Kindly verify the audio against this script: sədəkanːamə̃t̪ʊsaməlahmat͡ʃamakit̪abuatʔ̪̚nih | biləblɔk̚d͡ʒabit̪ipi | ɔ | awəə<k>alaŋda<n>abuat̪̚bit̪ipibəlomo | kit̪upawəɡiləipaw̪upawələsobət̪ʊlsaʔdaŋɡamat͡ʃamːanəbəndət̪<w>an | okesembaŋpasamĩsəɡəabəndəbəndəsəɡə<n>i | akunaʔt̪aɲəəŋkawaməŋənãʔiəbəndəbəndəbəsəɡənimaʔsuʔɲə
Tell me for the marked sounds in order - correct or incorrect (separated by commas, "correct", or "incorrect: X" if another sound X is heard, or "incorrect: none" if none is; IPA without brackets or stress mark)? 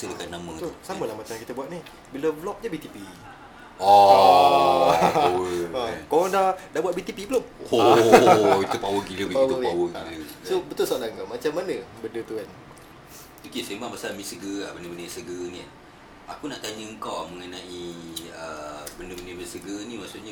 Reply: correct, incorrect: d, incorrect: u, correct